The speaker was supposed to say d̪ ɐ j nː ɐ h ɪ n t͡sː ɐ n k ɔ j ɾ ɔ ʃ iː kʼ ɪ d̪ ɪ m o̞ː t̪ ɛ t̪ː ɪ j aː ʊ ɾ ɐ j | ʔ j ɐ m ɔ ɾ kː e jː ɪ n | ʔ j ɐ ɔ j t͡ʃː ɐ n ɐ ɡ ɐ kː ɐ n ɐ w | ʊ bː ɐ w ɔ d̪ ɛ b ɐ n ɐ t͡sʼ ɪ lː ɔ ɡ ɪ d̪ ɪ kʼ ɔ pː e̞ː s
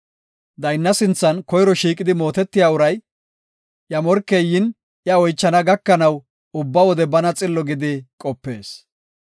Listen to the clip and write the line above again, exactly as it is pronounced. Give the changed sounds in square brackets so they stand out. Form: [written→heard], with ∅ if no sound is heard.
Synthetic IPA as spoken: d̪ ɐ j nː ɐ [h→s] ɪ n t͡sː ɐ n k ɔ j ɾ ɔ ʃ iː kʼ ɪ d̪ ɪ m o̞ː t̪ ɛ t̪ː ɪ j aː ʊ ɾ ɐ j | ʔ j ɐ m ɔ ɾ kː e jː ɪ n | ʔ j ɐ ɔ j t͡ʃː ɐ n ɐ ɡ ɐ kː ɐ n ɐ w | ʊ bː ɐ w ɔ d̪ ɛ b ɐ n ɐ t͡sʼ ɪ lː ɔ ɡ ɪ d̪ ɪ kʼ ɔ pː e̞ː s